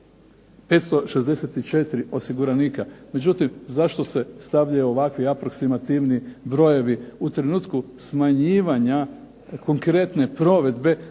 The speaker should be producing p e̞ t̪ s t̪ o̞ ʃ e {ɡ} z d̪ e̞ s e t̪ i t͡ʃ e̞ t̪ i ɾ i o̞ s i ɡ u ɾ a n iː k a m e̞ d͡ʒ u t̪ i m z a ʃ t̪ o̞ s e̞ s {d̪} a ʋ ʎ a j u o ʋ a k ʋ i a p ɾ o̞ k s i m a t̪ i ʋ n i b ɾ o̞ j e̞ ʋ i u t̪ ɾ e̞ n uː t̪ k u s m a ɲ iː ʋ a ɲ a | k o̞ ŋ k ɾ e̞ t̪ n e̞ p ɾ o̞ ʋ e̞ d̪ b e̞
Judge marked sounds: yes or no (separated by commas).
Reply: no, no